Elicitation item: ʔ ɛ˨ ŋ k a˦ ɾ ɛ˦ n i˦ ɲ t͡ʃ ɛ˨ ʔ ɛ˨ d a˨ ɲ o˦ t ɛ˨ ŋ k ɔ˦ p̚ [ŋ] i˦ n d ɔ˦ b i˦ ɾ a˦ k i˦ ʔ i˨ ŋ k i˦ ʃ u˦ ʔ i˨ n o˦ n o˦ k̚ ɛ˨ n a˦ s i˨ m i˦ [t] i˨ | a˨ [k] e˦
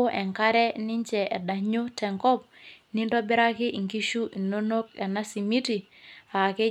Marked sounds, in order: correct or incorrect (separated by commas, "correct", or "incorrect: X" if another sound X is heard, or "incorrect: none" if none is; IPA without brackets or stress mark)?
incorrect: n, correct, correct